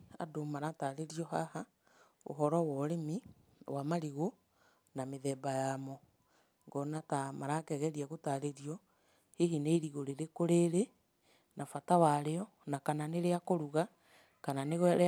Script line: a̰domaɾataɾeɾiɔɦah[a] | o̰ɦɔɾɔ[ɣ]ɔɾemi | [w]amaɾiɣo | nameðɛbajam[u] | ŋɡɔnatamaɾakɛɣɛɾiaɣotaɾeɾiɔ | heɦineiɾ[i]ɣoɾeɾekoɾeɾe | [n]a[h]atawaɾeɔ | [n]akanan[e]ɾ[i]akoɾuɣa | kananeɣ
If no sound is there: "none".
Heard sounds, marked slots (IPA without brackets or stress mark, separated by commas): a, w, w, ɔ, i, n, f, n, e, e